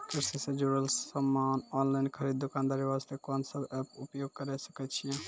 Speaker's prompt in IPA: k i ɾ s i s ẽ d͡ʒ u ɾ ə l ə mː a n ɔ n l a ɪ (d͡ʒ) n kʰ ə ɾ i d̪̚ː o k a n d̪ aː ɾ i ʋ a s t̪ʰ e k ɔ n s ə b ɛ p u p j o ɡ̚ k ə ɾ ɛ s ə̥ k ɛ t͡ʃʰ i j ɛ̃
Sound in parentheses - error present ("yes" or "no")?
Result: yes